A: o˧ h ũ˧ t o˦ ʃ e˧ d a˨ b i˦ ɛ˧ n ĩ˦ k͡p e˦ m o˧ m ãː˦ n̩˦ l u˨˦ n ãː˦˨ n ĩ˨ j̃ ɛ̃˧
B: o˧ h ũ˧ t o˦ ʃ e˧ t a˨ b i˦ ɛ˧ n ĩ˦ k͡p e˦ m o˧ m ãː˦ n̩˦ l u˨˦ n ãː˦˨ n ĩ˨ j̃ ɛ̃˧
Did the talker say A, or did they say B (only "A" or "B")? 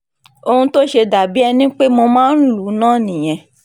A